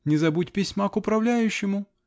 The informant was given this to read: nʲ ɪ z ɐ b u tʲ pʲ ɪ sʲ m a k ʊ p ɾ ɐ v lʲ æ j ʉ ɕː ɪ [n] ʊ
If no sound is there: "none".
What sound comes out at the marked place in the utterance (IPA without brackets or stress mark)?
m